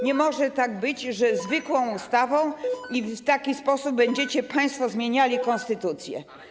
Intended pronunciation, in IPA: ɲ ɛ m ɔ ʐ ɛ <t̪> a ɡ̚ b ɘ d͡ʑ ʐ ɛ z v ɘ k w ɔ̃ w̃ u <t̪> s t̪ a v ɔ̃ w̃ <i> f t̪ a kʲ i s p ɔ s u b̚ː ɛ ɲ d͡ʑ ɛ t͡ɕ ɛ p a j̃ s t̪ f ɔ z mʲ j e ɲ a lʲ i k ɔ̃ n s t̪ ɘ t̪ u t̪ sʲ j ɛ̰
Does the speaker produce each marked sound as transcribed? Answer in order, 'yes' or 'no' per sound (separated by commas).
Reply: yes, no, yes